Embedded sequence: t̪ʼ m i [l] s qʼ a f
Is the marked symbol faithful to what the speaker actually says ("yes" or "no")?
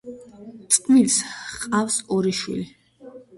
yes